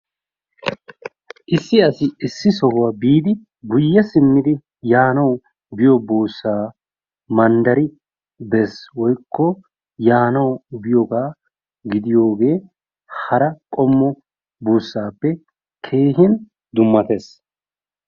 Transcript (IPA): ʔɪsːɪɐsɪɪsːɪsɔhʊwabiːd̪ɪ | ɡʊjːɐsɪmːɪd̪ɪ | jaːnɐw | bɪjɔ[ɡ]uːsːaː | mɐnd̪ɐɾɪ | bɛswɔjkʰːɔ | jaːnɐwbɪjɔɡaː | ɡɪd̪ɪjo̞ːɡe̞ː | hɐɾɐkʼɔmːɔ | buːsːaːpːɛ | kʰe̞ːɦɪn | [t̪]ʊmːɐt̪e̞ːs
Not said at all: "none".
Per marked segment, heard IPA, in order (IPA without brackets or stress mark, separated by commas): b, d̪